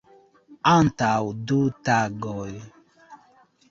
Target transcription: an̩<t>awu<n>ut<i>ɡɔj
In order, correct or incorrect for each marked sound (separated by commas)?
correct, incorrect, incorrect